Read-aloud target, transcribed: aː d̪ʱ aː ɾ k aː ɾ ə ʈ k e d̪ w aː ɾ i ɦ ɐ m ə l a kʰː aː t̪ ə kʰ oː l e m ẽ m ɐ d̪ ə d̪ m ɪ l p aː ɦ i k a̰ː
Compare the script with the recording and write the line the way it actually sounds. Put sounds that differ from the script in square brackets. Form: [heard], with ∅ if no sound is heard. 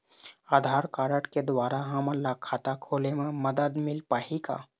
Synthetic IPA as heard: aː d̪ʱ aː ɾ k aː ɾ ə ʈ k e d̪ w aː ɾ [a] ɦ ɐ m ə l a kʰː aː t̪ [a] kʰ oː l e m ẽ m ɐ d̪ ə d̪ m ɪ l p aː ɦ i k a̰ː

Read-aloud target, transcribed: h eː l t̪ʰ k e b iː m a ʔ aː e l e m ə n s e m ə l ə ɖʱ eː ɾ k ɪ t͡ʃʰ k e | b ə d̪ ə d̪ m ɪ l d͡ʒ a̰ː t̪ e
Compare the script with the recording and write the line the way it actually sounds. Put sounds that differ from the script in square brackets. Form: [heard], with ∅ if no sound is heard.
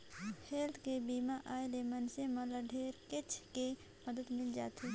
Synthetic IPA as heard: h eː l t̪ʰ k e b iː m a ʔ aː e l e m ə n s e m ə l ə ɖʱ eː ɾ k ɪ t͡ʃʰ k e | [m] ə d̪ ə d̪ m ɪ l d͡ʒ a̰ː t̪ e

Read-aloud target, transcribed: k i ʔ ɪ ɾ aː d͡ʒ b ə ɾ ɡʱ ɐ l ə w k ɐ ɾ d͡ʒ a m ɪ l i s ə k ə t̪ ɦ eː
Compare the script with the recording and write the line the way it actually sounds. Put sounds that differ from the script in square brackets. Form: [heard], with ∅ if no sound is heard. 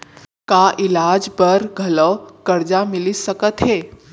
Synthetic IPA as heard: k [a] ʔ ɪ [l] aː d͡ʒ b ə ɾ ɡʱ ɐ l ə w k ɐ ɾ d͡ʒ a m ɪ l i s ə k ə t̪ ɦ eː

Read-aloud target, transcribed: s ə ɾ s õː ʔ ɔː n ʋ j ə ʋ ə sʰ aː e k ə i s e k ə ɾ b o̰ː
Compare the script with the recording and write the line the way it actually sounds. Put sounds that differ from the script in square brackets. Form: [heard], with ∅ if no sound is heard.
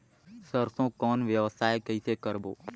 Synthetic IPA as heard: s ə ɾ s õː [k] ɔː n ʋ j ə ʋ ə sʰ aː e k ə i s e k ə ɾ b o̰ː

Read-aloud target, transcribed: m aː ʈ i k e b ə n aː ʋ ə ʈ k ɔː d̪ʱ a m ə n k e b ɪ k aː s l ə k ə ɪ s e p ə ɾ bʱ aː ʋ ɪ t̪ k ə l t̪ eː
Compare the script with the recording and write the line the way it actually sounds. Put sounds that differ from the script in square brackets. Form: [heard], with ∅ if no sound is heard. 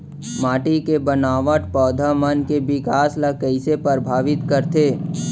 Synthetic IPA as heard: m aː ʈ i k e b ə n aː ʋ ə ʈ [p] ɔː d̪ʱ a m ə n k e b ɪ k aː s l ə k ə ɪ s e p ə ɾ bʱ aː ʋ ɪ t̪ k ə [ɾ] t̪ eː

